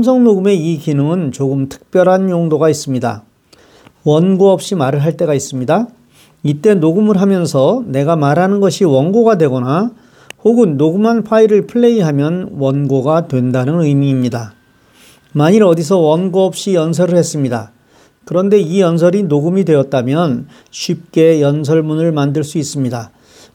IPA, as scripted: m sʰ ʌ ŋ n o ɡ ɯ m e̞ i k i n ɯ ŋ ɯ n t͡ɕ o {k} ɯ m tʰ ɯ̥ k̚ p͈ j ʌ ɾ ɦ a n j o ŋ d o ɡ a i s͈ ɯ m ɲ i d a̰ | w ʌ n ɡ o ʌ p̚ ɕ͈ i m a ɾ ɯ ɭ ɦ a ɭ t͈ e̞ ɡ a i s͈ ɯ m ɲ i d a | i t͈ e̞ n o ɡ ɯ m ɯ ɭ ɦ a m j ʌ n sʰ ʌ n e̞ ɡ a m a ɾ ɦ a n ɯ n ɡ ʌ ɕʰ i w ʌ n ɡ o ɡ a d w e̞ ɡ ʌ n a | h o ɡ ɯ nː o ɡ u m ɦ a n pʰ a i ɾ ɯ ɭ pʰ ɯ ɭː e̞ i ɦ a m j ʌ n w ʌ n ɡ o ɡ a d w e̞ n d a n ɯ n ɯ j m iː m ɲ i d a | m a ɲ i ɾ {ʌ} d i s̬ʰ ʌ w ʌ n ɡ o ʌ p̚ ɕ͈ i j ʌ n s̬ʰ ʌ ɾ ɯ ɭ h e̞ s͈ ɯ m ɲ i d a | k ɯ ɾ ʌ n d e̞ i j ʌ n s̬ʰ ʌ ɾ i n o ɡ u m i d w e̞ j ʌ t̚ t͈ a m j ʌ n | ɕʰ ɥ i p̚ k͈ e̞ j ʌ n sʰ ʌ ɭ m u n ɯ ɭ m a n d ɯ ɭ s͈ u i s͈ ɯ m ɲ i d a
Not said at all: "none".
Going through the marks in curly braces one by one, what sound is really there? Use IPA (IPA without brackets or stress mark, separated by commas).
ɡ, ʌ